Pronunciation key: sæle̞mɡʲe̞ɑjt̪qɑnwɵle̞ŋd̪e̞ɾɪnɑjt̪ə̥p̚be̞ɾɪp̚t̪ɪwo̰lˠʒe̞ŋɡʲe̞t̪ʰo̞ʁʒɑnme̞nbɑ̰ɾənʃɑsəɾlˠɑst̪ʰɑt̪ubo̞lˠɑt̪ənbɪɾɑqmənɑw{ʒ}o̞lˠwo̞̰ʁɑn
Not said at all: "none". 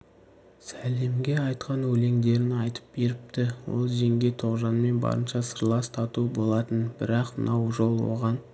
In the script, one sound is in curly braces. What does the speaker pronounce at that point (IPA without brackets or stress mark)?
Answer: ʒ